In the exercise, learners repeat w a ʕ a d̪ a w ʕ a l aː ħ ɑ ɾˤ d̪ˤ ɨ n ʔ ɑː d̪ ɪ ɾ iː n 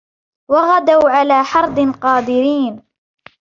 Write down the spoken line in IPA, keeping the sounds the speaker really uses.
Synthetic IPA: w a ɣ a d̪ a w ʕ a l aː ħ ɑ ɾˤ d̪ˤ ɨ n q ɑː d̪ ɪ ɾ iː n